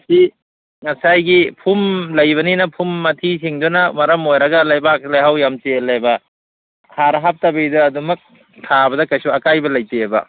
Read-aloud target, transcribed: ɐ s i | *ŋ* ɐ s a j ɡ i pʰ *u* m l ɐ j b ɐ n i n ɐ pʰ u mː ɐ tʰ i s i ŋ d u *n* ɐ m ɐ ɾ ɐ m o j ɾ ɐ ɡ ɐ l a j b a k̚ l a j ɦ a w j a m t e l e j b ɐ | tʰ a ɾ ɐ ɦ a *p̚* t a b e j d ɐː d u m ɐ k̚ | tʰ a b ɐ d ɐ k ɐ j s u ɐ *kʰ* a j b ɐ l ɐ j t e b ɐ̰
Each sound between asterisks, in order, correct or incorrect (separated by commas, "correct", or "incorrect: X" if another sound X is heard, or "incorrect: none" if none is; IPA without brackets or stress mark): correct, correct, correct, correct, incorrect: k